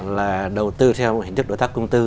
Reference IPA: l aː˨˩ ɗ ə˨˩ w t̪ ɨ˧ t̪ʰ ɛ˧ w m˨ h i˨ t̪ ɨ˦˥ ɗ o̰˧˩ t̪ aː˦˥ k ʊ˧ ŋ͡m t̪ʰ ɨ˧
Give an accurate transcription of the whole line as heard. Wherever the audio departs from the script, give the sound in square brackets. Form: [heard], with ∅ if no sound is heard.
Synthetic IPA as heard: l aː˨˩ ɗ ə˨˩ w t̪ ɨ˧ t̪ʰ ɛ˧ w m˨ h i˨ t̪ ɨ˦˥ ɗ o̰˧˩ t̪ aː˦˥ k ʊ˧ ŋ͡m [t̪] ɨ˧